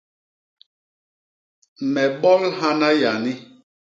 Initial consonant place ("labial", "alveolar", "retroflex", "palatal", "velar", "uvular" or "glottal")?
labial